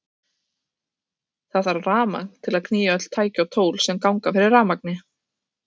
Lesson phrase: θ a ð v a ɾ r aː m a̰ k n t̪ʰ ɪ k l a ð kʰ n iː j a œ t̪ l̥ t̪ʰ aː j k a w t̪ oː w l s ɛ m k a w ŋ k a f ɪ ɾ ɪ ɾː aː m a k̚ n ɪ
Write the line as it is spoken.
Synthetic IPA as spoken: θ a ð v a ɾ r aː m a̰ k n t̪ʰ ɪ l a ð kʰ n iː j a œ t̪ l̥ t̪ʰ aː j c a w t̪ʰ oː w l s ɛ m k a w ŋ k a f ɪ ɾ ɪ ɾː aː m a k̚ n ɪ